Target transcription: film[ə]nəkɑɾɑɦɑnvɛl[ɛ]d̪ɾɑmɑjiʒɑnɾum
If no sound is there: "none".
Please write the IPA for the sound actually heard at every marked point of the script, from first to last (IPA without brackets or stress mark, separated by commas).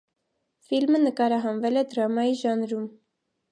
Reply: ə, ɛ